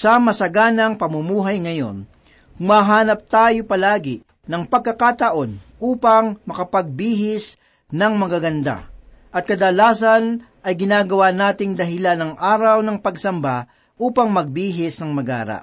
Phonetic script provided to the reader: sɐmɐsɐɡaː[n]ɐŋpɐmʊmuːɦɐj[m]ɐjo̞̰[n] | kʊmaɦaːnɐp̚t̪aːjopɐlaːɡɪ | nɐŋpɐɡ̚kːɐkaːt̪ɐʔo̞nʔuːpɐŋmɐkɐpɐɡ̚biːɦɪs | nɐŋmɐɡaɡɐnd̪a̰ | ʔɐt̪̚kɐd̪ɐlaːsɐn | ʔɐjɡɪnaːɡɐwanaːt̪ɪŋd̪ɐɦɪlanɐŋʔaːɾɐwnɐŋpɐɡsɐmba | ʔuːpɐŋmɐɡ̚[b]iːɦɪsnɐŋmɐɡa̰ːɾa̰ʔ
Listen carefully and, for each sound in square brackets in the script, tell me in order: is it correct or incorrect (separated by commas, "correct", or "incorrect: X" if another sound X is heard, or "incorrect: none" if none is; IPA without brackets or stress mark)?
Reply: correct, incorrect: ŋ, correct, correct